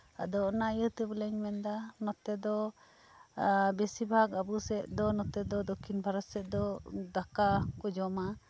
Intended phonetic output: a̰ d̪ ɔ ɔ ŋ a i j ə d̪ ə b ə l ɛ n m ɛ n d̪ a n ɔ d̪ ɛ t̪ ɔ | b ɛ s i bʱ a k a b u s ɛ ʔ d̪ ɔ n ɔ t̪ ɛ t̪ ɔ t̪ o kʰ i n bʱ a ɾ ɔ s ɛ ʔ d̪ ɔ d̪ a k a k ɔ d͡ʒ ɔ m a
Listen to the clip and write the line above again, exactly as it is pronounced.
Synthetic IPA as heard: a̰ d̪ ɔ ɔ n a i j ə t̪ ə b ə l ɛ ɲ m ɛ n d̪ a n ɔ t̪ ɛ d̪ ɔ | b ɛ s i bʱ a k a b u s ɛ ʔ d̪ ɔ n ɔ t̪ ɛ d̪ ɔ d̪ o kʰ i n bʱ a ɾ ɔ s ɛ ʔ d̪ ɔ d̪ a k a k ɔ d͡ʒ ɔ m a